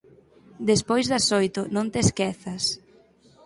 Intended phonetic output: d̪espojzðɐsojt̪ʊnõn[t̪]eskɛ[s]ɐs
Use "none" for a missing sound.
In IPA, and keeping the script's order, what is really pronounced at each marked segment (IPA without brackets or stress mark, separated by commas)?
t̪, θ